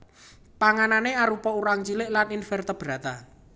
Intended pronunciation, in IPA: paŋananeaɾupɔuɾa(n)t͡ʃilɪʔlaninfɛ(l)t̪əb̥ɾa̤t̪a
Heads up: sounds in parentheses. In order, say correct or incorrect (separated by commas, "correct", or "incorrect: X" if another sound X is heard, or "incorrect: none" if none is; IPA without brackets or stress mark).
incorrect: ŋ, incorrect: r